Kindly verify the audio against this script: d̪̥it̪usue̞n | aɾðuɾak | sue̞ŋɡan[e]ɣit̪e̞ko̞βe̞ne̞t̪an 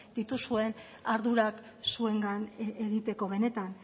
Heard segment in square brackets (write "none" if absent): e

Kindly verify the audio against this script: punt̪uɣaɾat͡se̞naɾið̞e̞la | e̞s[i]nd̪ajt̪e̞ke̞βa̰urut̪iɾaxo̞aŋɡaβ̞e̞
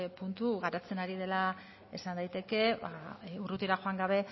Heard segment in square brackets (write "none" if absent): a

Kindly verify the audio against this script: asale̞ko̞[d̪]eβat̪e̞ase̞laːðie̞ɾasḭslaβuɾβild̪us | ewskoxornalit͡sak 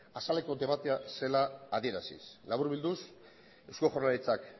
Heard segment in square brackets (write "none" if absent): d̪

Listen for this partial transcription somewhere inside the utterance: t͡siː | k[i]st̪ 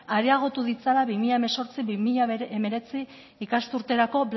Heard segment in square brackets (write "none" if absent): a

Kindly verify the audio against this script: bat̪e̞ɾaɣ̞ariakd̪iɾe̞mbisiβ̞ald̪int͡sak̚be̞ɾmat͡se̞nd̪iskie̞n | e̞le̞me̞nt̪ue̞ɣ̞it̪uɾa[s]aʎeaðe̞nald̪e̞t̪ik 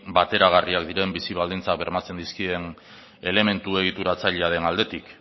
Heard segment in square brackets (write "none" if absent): t͡s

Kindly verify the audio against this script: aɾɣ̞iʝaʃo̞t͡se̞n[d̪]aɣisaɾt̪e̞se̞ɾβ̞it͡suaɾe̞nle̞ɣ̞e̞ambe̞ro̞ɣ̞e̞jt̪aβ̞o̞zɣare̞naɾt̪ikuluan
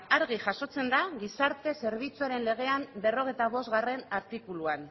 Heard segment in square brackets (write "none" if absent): d̪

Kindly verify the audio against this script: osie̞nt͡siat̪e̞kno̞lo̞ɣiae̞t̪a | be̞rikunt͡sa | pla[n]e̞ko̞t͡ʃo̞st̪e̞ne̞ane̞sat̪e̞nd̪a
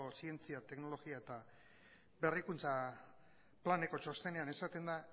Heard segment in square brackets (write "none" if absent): n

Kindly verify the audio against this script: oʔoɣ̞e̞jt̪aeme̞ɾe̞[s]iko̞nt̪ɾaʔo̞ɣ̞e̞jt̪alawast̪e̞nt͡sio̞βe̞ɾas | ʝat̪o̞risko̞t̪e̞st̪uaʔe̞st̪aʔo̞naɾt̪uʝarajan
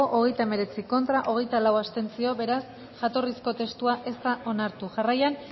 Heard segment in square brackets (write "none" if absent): t͡s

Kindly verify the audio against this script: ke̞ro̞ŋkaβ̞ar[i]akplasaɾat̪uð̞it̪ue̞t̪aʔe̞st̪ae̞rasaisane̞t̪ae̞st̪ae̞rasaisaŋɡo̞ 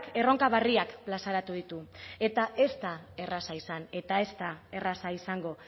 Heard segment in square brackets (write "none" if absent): i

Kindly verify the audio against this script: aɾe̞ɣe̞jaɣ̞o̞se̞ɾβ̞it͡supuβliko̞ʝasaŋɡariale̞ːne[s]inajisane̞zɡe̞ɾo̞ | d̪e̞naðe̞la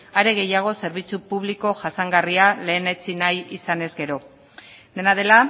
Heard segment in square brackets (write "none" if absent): t͡s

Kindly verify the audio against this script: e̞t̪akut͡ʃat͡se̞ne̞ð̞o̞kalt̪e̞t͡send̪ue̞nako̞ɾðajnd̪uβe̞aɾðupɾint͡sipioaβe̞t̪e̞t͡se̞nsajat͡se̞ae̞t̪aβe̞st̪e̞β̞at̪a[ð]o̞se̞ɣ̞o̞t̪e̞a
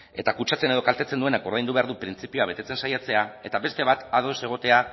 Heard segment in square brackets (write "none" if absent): ð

